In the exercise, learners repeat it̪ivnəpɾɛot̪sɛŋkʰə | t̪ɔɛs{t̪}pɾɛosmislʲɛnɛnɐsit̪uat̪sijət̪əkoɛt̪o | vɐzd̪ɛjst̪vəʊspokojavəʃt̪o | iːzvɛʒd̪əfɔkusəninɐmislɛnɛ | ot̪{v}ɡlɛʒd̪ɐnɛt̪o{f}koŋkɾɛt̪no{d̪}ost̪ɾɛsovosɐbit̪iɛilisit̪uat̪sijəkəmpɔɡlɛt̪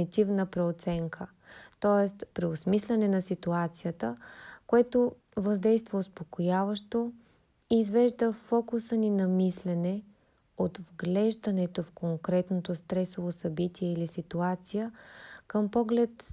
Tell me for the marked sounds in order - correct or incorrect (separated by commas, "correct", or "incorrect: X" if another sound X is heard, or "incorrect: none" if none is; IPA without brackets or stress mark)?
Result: correct, correct, correct, incorrect: t̪